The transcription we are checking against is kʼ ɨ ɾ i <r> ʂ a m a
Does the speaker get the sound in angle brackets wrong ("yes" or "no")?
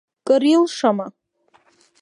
yes